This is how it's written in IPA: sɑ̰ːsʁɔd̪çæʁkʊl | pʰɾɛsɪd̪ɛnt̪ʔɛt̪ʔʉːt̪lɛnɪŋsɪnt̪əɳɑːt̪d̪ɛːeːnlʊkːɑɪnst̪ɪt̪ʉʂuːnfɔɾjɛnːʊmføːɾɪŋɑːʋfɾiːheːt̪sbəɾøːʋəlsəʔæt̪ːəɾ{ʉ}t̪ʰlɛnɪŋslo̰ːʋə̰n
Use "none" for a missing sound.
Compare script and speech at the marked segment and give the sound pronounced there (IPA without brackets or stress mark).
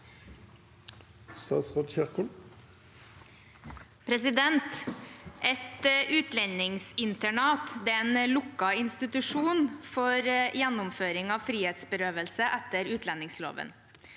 ʉː